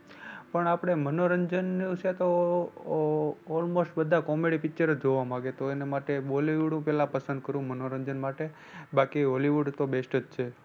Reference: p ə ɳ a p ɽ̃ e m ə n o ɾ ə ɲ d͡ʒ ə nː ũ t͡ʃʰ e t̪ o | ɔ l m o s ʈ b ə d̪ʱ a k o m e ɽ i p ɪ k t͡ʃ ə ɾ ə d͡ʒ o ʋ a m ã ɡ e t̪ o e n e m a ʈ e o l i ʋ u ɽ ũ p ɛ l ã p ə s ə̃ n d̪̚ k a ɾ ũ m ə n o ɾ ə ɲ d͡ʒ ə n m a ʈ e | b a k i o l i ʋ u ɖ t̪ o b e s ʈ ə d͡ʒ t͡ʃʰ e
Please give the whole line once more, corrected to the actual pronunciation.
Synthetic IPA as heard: p ə ɳ a p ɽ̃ e m ə n o ɾ ə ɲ d͡ʒ ə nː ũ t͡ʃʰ e t̪ o | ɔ l m o s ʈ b ə d̪ʱ a k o m e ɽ i p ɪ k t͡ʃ ə ɾ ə d͡ʒ o ʋ a m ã ɡ e t̪ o e n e m a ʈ e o l i ʋ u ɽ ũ p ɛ l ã p ə s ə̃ n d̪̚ k ə ɾ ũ m ə n o ɾ ə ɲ d͡ʒ ə n m a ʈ e | b a k i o l i ʋ u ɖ t̪ o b e s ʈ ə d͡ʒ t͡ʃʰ e